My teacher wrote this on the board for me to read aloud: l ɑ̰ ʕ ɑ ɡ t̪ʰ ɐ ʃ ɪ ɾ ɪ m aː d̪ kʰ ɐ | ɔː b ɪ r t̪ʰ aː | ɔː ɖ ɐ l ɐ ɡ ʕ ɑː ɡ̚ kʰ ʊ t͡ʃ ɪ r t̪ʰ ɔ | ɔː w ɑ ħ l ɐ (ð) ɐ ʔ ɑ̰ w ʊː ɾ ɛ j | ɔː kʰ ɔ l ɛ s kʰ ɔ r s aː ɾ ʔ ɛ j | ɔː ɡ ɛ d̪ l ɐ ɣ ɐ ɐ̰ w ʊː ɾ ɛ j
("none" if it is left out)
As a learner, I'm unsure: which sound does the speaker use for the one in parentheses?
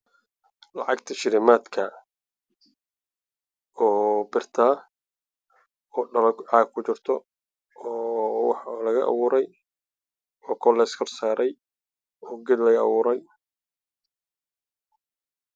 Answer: ɣ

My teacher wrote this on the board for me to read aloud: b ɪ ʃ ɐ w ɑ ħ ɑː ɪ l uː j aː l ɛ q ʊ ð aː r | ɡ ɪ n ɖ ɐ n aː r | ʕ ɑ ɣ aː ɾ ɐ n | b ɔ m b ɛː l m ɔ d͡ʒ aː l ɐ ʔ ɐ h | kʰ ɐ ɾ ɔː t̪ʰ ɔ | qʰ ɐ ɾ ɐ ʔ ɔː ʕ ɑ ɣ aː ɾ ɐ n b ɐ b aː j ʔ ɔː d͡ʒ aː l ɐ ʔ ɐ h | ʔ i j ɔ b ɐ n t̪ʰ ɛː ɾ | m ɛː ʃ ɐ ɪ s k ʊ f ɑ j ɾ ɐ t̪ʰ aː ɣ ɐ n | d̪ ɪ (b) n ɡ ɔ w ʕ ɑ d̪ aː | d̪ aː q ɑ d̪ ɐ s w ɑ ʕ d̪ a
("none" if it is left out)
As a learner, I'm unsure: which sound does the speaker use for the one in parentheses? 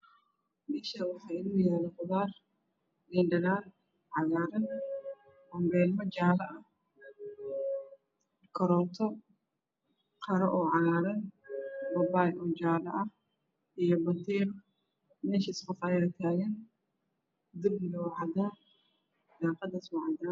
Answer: b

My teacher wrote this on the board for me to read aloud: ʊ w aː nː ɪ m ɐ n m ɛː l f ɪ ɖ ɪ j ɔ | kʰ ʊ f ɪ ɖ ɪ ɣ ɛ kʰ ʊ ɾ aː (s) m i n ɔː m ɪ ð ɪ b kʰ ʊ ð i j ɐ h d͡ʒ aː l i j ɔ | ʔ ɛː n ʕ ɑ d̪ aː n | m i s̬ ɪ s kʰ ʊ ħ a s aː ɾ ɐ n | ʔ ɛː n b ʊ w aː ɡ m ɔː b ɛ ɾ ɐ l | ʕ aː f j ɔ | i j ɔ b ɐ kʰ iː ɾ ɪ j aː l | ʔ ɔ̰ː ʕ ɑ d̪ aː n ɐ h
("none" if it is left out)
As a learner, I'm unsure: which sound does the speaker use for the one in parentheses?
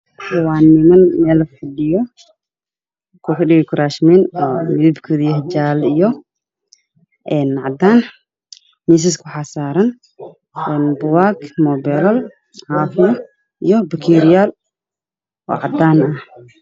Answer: ʃ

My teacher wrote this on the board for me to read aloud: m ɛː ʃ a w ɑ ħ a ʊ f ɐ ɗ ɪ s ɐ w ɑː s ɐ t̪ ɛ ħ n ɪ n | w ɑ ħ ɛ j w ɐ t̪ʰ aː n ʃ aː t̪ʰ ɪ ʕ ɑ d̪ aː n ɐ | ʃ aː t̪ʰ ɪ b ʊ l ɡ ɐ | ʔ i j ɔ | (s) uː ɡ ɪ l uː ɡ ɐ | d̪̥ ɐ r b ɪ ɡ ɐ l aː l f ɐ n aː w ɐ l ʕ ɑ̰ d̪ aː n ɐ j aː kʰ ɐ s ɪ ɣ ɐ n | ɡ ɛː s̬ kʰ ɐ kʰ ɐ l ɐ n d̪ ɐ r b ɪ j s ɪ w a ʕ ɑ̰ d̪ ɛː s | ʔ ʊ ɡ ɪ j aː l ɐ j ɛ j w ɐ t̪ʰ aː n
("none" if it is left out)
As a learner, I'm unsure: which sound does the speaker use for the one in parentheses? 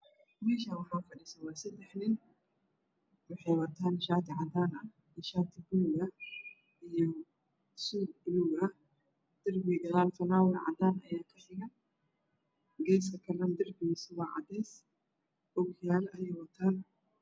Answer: s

